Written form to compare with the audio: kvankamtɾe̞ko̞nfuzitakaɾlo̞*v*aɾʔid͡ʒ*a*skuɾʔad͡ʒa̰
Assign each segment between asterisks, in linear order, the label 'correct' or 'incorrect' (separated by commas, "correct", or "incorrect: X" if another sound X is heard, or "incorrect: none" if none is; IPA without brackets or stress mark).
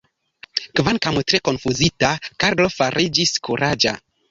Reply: incorrect: f, incorrect: i